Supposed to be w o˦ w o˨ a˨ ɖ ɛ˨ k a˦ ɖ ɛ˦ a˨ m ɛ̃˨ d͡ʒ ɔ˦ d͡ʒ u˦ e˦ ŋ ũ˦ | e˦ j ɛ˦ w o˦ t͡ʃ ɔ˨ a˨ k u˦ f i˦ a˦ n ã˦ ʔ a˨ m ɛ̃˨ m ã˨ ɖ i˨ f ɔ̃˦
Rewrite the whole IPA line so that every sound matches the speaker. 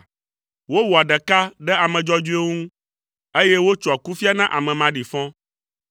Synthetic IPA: w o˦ w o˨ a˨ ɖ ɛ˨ k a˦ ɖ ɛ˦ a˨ m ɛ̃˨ d͡ʒ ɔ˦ d͡ʒ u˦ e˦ ŋ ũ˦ | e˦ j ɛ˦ w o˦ t͡ʃ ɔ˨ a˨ k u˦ f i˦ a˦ n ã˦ ʔ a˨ m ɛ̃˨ m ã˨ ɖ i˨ f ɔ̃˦